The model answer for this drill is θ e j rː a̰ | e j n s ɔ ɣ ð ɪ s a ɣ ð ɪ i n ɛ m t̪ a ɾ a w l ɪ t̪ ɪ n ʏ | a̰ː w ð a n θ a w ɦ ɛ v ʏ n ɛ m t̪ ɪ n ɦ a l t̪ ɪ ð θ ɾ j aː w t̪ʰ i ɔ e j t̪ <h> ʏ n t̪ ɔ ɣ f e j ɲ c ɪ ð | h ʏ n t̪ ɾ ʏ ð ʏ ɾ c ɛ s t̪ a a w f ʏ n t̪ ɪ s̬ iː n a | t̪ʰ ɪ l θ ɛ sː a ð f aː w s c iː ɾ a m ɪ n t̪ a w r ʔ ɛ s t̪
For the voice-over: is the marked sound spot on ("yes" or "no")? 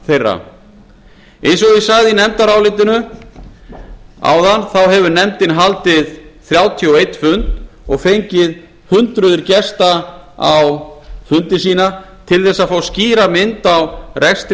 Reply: no